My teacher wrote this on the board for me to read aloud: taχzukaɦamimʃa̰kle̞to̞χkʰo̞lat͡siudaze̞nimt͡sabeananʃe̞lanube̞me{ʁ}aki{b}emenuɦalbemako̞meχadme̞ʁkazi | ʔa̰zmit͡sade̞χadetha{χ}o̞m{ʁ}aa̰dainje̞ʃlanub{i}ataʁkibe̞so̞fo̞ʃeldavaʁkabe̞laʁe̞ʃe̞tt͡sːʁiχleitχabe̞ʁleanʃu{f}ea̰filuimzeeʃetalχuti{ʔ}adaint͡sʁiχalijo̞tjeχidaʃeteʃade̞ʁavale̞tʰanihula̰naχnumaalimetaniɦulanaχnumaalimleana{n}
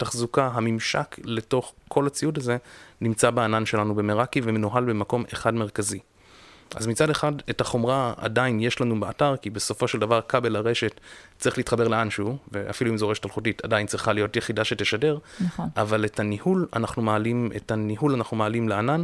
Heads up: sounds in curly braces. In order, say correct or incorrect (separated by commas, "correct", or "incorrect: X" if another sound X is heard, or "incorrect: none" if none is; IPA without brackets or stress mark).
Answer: correct, incorrect: v, correct, correct, incorrect: e, incorrect: v, incorrect: t, correct